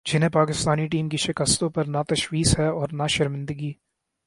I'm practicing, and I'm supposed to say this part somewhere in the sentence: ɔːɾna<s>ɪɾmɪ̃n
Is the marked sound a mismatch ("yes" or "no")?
yes